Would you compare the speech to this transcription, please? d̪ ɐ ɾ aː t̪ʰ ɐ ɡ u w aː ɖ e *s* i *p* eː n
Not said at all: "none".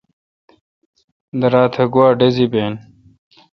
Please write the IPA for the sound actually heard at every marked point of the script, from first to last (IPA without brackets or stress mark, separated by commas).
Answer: z, b